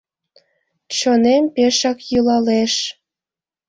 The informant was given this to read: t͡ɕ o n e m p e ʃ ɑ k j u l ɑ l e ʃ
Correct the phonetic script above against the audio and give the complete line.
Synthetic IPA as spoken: t͡ɕ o n e m p e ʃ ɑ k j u l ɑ l e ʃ